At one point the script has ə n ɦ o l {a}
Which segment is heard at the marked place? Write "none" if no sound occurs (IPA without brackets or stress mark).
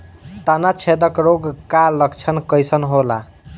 a